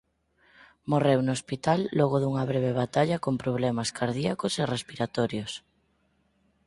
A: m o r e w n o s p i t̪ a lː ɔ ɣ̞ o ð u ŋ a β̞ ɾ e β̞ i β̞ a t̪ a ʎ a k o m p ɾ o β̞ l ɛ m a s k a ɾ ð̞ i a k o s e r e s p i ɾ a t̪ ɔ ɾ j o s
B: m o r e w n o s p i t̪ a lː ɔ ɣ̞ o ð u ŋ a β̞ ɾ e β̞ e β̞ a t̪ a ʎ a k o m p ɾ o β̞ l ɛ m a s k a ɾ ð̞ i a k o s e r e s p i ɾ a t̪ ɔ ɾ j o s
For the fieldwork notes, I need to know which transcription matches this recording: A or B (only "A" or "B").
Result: B